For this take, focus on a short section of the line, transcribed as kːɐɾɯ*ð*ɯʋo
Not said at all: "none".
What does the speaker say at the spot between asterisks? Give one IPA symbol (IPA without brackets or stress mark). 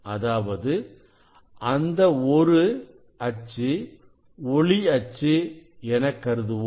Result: ð